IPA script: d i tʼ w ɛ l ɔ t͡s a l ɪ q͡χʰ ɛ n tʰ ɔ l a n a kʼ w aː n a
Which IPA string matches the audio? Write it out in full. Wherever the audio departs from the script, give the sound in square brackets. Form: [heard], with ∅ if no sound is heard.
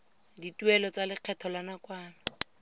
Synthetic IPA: d i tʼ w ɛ l ɔ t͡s a l ɪ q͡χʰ ɛ [∅] tʰ ɔ l a n a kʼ w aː n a